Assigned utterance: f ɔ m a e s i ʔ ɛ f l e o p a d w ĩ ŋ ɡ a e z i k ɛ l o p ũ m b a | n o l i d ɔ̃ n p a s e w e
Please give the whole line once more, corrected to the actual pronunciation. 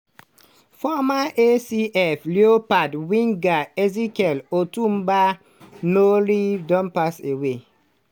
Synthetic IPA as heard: f ɔ m a e s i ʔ ɛ f l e o p a d w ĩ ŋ ɡ a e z i k ɛ l o t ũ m b a | n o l i d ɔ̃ n p a s e w e

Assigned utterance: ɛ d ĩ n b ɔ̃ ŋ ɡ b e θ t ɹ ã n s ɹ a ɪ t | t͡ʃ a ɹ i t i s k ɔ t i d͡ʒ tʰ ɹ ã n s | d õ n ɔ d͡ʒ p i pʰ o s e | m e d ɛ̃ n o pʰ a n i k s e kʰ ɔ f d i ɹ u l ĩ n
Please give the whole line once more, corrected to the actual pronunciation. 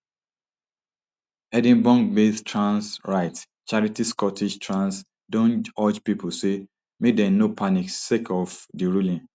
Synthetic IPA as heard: ɛ d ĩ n b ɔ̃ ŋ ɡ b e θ t ɹ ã n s ɹ a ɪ t | t͡ʃ a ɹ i t i s k ɔ t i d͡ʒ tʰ ɹ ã n s | d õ n ɔ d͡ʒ p i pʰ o s e | m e d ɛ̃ n o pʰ a n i k s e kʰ ɔ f d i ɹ u l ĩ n

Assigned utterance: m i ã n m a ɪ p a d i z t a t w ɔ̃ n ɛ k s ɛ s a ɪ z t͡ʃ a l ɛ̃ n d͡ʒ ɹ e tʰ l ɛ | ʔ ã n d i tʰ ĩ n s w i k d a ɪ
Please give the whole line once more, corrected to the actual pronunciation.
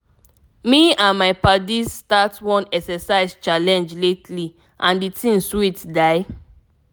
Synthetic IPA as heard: m i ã n m a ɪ p a d i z t a t w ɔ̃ n ɛ k s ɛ s a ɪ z t͡ʃ a l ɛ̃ n d͡ʒ l e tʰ l i | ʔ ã n d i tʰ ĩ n s w i t d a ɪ

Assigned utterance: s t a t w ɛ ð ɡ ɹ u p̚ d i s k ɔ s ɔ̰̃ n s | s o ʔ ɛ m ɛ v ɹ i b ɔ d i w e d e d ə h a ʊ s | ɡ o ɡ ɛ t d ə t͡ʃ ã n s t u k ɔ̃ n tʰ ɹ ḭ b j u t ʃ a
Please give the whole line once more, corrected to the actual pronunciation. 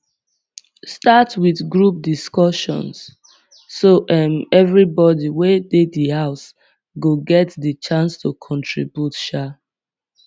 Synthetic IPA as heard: s t a t w i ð ɡ ɹ u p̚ d i s k ɔ ʃ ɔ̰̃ n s | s o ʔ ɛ m ɛ v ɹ i b ɔ d i w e d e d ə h a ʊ s | ɡ o ɡ ɛ t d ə t͡ʃ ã n s t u kʰ ɔ̃ n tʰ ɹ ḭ b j u t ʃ a

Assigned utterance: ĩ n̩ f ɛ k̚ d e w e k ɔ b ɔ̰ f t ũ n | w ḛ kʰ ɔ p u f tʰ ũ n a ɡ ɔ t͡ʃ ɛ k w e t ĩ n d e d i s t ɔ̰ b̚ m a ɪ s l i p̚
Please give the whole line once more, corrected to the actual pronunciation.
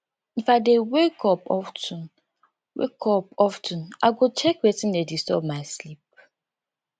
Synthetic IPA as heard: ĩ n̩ f a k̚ d e w e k ɔ p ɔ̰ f t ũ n | w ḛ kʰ ɔ p ɔ f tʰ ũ n a ɡ o t͡ʃ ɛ k w e t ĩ n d e d i s t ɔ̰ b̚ m a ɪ s l i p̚

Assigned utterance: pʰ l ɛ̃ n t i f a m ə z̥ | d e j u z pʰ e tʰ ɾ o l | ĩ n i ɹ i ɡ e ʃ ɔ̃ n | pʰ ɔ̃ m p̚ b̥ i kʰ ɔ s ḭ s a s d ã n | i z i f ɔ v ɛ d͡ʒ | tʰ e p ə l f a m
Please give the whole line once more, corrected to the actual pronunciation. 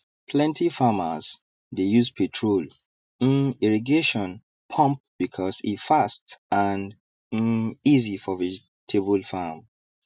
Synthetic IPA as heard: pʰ l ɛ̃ n t i f a m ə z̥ | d e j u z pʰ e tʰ ɹ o l | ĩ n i ɹ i ɡ e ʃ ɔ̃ n | pʰ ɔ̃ m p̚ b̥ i kʰ ɔ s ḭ f a s t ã n | i z i f ɔ v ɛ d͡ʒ | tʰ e b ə l f a m

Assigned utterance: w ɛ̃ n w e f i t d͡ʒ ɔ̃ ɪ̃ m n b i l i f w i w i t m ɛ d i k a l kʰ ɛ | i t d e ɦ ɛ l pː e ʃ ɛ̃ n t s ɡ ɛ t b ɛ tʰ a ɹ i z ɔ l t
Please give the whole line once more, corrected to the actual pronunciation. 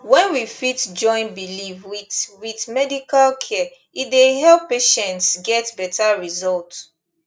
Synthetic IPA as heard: w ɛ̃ n w i f i t d͡ʒ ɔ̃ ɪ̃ n b i l i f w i w i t m ɛ d i k a l kʰ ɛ | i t d e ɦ ɛ l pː e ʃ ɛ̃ n t s ɡ ɛ t b ɛ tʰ a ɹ i z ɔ l t

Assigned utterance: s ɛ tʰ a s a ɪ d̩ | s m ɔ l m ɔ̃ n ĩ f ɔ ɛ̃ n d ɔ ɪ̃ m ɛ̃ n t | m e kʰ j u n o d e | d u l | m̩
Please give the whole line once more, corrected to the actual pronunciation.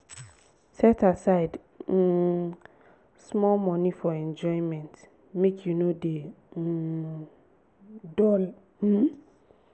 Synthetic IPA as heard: s ɛ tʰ a s a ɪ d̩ | s m ɔ l m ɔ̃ n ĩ f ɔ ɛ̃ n d͡ʒ ɔ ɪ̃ m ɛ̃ n t | m e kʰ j u n o d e | d ɔ l | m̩

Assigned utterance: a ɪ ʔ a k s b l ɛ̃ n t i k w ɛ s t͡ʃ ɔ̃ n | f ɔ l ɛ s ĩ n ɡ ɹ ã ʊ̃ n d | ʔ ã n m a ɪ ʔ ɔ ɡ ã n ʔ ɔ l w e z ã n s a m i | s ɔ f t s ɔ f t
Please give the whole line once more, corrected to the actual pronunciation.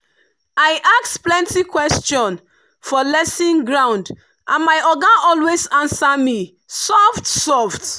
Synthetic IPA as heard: a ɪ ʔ a k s p l ɛ̃ n t i k w ɛ s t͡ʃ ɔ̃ n | f ɔ l ɛ s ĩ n ɡ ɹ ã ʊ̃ n d | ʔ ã n m a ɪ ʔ ɔ ɡ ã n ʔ ɔ l w e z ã n s a m i | s ɔ f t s ɔ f t

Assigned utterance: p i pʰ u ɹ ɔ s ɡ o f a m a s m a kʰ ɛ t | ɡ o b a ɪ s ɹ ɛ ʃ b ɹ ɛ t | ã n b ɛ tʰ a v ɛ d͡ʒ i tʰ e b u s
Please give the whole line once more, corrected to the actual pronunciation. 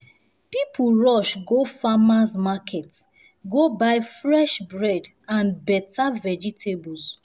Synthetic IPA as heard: p i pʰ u ɹ ɔ ʃ ɡ o f a m a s m a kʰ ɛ t | ɡ o b a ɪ f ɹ ɛ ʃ b ɹ ɛ d | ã n b ɛ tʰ a v ɛ d͡ʒ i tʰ e b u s

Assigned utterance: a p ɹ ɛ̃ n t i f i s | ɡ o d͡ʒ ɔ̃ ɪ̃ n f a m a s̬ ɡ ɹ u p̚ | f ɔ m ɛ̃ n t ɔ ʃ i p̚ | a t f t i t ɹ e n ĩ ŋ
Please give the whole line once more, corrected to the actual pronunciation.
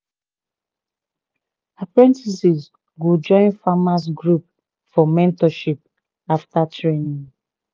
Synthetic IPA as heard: a p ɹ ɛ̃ n t i s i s | ɡ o d͡ʒ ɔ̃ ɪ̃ n f a m a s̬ ɡ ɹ u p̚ | f ɔ m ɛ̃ n t ɔ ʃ i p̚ | a f t a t ɹ e n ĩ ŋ

